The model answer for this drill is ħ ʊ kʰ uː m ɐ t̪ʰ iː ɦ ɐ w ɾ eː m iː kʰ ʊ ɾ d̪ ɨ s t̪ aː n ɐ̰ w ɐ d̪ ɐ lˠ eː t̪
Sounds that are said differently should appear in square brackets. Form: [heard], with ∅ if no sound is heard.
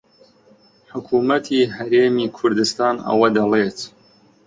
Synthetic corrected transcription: ħ ʊ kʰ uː m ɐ t̪ʰ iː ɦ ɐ [∅] ɾ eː m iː kʰ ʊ ɾ d̪ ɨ s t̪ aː n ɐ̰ w ɐ d̪ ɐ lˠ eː t̪